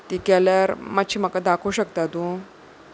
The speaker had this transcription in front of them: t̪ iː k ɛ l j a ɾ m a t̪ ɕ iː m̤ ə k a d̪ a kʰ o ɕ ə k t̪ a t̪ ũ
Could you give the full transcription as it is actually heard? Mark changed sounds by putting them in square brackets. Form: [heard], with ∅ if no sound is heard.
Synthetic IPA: t̪ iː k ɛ l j a ɾ m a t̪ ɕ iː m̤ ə k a d̪ a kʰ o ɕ ə k t̪ a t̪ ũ